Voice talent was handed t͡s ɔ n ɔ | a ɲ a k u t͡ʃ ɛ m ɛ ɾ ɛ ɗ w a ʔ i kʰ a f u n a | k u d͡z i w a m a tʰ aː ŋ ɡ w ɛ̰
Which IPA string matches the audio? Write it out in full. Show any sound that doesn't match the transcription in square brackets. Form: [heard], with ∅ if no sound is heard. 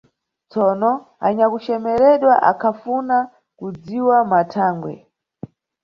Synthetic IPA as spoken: t͡s ɔ n ɔ | a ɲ a k u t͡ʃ ɛ m ɛ ɾ ɛ ɗ w a ʔ [a] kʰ a f u n a | k u d͡z i w a m a tʰ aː ŋ ɡ w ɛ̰